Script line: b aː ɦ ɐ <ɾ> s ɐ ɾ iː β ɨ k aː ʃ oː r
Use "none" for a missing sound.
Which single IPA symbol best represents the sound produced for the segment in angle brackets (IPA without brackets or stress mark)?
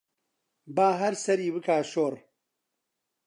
ɾ